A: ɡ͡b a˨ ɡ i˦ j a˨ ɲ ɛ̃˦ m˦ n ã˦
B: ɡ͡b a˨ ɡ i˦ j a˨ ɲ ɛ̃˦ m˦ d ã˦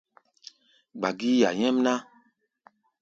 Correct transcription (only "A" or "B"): A